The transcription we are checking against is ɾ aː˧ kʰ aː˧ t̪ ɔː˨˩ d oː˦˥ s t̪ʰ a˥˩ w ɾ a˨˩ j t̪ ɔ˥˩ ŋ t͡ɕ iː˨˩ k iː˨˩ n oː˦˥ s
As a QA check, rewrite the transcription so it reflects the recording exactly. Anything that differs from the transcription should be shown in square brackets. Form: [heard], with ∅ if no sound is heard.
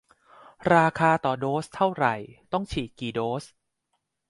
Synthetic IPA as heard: ɾ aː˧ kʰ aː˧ t̪ ɔː˨˩ d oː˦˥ s t̪ʰ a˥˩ w ɾ a˨˩ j t̪ ɔ˥˩ ŋ [t͡ɕʰ] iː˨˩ k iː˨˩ [d] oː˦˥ s